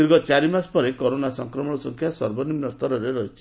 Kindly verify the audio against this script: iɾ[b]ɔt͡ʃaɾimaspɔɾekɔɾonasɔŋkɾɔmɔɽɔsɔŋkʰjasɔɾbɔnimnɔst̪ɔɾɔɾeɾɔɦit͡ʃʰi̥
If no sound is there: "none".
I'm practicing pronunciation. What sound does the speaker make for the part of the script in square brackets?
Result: ɡ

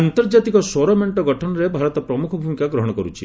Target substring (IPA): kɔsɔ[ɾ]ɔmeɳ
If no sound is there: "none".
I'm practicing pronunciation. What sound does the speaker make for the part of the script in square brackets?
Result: ɾ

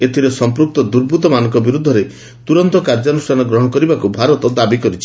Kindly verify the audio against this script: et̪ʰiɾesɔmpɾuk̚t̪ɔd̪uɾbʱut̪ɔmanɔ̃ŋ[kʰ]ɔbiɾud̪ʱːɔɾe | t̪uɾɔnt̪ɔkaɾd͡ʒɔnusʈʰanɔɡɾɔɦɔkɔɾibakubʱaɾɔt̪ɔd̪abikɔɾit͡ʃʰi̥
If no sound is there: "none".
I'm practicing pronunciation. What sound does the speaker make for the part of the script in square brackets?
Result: k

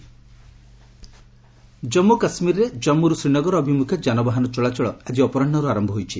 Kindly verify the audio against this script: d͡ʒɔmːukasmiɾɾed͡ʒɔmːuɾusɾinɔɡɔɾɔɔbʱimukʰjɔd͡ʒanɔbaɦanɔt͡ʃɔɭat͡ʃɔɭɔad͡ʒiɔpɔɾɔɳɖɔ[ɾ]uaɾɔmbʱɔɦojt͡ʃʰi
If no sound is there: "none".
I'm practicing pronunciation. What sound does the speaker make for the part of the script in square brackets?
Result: ɾ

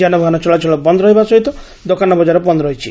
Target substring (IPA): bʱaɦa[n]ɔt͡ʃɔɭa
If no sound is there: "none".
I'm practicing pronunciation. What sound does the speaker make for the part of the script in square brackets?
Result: n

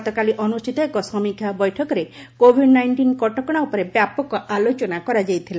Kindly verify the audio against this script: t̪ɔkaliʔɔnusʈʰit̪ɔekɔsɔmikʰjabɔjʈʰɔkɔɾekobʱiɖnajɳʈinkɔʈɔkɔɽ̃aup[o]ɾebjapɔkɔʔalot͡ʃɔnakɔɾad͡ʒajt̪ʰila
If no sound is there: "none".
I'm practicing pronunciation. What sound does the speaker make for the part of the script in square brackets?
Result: ɔ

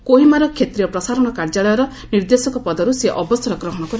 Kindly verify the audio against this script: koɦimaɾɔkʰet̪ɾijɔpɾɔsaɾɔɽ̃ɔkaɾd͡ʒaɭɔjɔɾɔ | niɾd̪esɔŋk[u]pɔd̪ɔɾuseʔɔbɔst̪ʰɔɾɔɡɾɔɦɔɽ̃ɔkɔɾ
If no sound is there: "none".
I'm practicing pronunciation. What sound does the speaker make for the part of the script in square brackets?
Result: ɔ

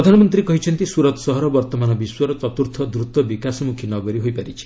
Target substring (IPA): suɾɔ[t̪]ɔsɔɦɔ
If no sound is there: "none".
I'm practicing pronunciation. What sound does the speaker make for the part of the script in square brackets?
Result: t̪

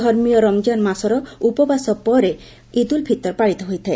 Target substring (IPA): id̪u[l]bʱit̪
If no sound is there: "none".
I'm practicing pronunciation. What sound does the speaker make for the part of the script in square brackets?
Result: l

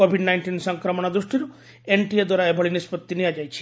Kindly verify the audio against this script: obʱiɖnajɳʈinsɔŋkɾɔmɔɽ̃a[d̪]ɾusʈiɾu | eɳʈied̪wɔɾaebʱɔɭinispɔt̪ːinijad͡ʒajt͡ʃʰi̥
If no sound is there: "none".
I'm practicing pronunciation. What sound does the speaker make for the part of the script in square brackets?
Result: d̪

